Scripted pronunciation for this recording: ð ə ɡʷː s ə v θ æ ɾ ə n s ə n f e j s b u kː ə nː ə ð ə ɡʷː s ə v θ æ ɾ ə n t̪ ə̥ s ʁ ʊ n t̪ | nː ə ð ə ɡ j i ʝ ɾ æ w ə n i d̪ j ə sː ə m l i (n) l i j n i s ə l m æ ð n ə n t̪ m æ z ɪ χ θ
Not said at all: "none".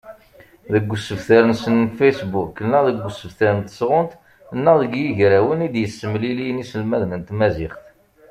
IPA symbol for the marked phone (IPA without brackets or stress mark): none